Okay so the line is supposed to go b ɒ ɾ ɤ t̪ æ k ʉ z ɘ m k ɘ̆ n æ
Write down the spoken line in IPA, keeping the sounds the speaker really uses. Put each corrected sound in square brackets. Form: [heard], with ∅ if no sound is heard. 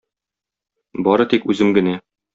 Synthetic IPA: b ɒ ɾ ɤ t̪ [i] k ʉ z ɘ m [ɡ] ɘ̆ n æ